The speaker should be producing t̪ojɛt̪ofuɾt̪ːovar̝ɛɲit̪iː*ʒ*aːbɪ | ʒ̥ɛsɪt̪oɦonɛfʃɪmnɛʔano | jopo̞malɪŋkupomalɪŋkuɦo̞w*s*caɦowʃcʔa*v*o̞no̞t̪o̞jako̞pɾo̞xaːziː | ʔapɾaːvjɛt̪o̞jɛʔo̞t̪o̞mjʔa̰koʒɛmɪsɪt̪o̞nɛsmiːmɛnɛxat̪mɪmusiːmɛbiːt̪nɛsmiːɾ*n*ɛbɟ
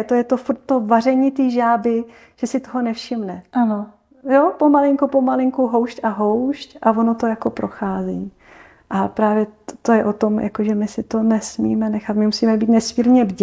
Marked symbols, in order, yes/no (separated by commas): yes, no, yes, no